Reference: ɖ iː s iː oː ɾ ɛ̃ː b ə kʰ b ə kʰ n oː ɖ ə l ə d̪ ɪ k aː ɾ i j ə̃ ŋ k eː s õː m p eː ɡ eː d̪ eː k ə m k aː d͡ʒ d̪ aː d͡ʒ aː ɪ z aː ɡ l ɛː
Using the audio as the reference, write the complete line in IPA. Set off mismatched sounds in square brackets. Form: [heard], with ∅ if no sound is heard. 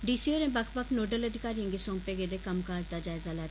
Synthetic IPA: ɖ iː s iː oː ɾ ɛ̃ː b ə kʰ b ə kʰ n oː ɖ ə l ə d̪ ɪ k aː ɾ i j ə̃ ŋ [ɡ] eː s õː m p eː ɡ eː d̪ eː k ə m k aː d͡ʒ d̪ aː d͡ʒ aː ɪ z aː [∅] l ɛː